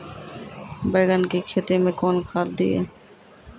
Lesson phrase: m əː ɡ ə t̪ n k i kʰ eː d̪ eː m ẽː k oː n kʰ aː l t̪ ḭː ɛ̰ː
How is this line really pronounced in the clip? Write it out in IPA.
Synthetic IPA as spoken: b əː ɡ ə n k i kʰ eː t̪ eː m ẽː k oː n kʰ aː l d̪ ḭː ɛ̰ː